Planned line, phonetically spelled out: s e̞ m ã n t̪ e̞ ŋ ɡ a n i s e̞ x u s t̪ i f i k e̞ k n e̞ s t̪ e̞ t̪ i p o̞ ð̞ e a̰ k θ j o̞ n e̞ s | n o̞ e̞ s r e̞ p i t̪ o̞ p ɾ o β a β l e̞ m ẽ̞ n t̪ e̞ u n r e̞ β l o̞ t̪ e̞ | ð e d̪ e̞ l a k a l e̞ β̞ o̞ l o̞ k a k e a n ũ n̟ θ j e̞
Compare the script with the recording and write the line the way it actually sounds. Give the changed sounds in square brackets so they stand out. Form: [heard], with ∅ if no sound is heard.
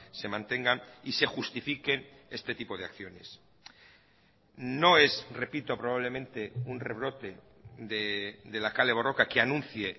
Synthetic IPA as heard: s e̞ m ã n t̪ e̞ ŋ ɡ a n i s e̞ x u s t̪ i f i k e̞ [∅] n e̞ s t̪ e̞ t̪ i p o̞ ð̞ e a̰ k θ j o̞ n e̞ s | n o̞ e̞ s r e̞ p i t̪ o̞ p ɾ o β a β l e̞ m ẽ̞ n t̪ e̞ u n r e̞ β [ɾ] o̞ t̪ e̞ | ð e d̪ e̞ l a k a l e̞ β̞ o̞ [r] o̞ k a k e a n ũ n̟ θ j e̞